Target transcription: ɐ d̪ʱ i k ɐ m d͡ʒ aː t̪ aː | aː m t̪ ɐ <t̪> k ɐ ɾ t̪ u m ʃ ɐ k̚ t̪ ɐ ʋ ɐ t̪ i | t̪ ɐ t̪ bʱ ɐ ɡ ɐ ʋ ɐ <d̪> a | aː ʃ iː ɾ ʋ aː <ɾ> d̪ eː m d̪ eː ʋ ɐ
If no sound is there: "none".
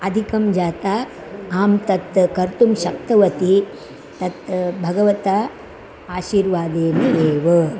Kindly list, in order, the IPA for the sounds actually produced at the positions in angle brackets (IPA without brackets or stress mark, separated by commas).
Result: t̪, t̪, none